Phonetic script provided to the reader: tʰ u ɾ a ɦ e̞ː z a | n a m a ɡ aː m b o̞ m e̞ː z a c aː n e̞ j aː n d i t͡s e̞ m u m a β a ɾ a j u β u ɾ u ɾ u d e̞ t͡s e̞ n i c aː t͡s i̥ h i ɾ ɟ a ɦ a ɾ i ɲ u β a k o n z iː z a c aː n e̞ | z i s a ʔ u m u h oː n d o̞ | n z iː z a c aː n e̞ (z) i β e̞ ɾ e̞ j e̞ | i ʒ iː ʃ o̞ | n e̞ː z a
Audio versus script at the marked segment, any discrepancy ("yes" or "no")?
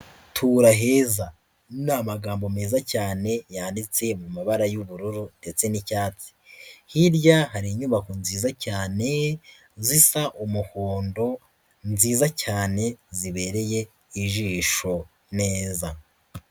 no